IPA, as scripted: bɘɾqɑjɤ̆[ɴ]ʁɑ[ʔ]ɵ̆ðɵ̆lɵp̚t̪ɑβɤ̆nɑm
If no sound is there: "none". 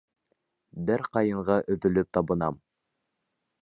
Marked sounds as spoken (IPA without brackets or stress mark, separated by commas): ɴ, ʔ